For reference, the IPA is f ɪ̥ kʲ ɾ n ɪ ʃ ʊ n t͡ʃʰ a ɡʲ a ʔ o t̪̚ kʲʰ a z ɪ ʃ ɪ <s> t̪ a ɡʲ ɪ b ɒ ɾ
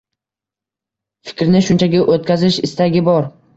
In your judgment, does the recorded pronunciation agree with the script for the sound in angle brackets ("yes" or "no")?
yes